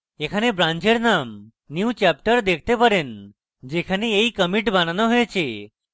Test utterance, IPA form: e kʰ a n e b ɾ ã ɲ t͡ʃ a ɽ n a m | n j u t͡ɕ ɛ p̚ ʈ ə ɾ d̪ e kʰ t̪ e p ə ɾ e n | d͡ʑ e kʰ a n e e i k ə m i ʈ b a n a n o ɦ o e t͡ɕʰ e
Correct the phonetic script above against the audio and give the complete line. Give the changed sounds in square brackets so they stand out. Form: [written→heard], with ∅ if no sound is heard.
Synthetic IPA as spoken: e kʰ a n e b ɾ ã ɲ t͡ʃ [a→e] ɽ n a m | n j u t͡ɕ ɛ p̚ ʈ ə ɾ d̪ e kʰ t̪ e p ə ɾ e n | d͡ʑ e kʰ a n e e i k ə m i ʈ b a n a n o ɦ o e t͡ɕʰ e